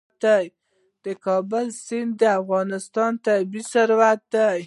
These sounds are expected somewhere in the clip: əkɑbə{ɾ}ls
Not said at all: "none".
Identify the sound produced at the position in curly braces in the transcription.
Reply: none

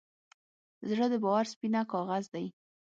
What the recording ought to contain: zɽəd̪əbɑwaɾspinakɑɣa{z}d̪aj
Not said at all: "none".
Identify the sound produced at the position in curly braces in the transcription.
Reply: z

